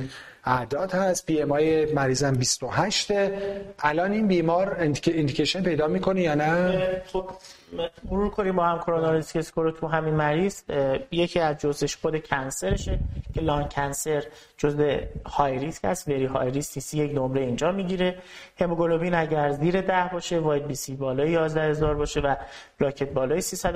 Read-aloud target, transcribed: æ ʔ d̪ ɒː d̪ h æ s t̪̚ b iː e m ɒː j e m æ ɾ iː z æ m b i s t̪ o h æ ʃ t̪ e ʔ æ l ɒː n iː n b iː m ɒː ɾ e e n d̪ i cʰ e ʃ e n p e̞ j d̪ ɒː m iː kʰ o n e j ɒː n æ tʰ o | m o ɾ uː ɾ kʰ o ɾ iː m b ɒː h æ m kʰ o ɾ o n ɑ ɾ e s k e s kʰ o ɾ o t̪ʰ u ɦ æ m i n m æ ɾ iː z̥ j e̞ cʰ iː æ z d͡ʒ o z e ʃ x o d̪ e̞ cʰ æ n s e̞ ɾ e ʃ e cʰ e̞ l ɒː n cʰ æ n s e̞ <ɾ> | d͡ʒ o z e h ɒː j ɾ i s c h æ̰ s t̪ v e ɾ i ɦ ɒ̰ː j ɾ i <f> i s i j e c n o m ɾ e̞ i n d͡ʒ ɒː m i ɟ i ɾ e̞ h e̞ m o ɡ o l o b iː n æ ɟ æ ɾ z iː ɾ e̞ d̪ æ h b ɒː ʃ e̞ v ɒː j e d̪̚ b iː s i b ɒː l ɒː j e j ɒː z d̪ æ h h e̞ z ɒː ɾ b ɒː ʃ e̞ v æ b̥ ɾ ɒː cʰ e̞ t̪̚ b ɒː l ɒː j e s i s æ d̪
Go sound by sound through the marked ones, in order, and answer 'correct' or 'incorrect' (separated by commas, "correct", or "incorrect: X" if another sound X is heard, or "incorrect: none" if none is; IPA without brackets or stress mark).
correct, incorrect: s